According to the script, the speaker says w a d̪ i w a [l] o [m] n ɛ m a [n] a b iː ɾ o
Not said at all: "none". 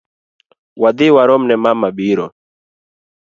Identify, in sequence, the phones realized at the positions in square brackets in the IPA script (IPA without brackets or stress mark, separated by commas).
ɾ, m, m